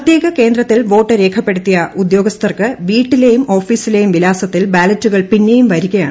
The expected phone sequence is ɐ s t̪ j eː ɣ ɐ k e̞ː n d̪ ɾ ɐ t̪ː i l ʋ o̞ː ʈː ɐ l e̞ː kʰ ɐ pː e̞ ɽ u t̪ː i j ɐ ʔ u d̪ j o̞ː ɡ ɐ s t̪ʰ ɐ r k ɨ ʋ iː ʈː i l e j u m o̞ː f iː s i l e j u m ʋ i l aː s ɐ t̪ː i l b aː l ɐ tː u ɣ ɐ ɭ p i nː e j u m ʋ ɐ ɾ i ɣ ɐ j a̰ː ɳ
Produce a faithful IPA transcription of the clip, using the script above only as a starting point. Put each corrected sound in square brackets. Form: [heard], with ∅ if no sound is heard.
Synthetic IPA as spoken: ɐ [∅] t̪ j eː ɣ ɐ k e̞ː n d̪ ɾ ɐ t̪ː i l ʋ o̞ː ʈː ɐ [ɾ] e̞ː kʰ ɐ pː e̞ ɽ u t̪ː i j ɐ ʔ u d̪ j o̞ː ɡ ɐ s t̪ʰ ɐ r k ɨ ʋ iː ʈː i l e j u m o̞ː f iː s i l e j u m ʋ i l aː s ɐ t̪ː i l b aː l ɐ tː u ɣ ɐ ɭ p i nː e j u m ʋ ɐ ɾ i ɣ ɐ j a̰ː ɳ